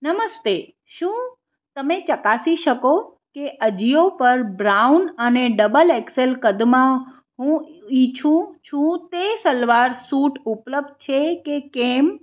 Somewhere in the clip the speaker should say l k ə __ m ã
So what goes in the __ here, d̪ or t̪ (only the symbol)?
d̪